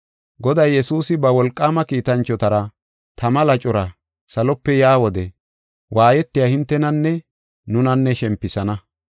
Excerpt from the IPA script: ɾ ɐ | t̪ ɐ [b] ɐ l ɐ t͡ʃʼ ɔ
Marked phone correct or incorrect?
incorrect